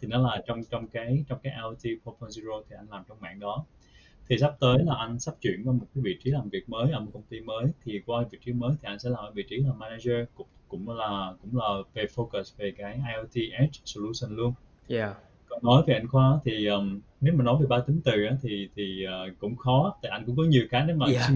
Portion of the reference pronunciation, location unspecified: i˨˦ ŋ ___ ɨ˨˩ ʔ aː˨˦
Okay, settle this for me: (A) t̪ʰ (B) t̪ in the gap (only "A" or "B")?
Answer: B